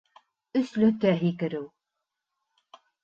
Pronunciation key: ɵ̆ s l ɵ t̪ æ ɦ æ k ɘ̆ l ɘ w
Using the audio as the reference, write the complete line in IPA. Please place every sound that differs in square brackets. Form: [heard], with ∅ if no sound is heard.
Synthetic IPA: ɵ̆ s l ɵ t̪ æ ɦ [i] k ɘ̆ [ɾ] ɘ w